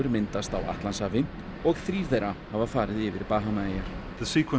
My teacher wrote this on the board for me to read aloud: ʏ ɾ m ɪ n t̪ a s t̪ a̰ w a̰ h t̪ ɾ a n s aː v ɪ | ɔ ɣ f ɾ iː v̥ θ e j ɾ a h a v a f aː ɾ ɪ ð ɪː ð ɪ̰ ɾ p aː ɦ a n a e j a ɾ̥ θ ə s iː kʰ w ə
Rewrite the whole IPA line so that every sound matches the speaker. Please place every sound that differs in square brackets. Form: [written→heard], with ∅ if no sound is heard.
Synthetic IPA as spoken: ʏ ɾ m ɪ n t̪ a s t̪ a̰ w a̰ h t̪ [ɾ→l] a n s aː v ɪ | ɔ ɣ [f→θ] ɾ iː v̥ θ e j ɾ a h a v a f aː ɾ ɪ ð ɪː [ð→v] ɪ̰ ɾ p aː ɦ a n a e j a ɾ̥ [θ→ð] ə s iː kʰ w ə